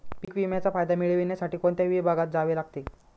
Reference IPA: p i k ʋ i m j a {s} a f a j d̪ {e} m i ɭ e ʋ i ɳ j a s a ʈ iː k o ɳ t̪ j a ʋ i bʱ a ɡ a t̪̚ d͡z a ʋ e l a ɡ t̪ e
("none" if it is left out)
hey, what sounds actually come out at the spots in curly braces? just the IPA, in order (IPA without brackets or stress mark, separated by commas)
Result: t͡s, a